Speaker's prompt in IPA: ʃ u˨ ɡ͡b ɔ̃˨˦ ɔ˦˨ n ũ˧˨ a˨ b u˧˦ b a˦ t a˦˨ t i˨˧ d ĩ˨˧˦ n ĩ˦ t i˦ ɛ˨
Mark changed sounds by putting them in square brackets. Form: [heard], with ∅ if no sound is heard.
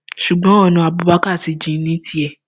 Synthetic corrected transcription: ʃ u˨ ɡ͡b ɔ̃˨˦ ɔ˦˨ n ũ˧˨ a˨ b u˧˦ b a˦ [k] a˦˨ t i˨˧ [d͡ʒ] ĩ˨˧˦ n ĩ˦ t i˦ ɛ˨